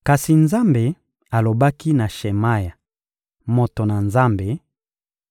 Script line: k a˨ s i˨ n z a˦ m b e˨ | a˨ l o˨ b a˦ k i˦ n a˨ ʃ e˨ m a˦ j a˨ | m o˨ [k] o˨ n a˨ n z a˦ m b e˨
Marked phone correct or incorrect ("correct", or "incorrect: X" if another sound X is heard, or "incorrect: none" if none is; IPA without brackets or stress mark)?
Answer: incorrect: t